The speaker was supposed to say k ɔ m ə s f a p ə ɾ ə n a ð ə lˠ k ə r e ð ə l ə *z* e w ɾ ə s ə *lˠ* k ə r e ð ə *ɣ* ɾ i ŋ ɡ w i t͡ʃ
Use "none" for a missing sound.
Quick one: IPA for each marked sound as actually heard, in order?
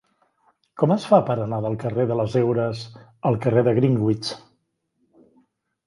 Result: z, lˠ, ɣ

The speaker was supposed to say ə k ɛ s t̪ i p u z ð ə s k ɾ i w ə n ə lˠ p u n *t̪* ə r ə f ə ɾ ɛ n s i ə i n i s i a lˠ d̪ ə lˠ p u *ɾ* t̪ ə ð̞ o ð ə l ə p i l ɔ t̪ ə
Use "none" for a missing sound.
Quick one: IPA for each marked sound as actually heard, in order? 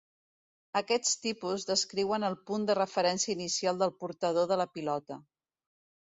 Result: d̪, ɾ

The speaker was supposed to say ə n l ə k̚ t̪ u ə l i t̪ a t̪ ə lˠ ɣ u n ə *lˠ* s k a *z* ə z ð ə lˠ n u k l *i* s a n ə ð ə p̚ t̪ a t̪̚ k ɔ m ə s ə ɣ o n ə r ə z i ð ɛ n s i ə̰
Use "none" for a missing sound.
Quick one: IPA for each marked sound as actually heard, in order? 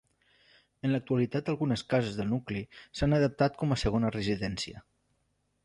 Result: none, z, i

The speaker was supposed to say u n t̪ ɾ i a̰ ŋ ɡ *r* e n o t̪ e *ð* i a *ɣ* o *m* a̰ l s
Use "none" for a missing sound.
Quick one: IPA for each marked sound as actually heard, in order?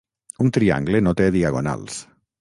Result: l, ð, ɣ, n

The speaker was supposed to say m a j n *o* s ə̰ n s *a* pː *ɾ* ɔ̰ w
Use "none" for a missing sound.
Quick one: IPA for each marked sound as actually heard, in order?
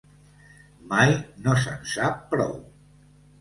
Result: o, a, ɾ

